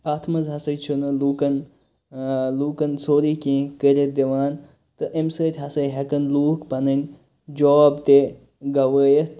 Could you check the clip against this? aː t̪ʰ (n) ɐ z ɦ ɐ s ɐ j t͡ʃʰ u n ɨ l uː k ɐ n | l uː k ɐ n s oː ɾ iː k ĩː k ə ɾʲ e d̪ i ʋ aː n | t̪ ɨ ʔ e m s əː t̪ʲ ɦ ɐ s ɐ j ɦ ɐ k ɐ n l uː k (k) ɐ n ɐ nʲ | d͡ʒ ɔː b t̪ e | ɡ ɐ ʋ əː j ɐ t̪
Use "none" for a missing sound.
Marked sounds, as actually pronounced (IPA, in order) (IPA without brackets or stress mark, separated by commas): m, p